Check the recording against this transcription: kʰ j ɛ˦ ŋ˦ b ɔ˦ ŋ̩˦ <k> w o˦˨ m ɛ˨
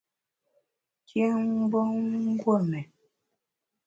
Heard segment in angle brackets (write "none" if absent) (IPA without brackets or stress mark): ɡ